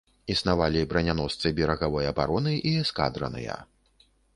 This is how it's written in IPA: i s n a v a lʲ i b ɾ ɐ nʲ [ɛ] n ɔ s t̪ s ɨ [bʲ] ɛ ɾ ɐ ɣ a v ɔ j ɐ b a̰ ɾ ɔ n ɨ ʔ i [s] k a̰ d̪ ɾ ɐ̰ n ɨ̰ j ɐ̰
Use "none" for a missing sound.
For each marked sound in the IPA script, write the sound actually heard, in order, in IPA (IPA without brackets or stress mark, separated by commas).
a, bʲ, s